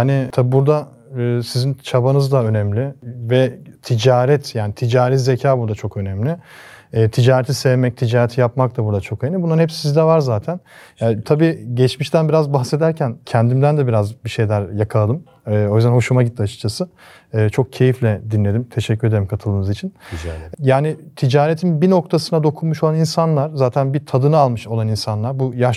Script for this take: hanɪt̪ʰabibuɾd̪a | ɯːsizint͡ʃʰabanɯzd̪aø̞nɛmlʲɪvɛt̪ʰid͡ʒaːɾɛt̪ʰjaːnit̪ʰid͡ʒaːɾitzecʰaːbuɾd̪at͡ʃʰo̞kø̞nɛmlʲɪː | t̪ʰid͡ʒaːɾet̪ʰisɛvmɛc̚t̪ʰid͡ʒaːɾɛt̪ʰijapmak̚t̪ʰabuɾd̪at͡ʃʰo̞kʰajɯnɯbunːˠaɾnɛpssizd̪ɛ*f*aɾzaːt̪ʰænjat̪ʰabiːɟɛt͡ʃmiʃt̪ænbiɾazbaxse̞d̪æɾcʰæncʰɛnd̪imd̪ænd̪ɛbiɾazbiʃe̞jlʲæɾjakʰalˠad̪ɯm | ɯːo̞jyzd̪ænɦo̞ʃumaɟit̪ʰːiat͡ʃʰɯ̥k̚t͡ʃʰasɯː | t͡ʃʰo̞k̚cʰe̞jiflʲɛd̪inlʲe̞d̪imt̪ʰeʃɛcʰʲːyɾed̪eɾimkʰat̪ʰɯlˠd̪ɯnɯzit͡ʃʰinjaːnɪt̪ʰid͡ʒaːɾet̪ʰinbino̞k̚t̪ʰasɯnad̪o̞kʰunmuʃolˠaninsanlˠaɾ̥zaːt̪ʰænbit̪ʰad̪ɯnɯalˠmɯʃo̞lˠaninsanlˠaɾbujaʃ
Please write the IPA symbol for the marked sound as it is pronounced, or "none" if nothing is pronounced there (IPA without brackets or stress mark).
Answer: v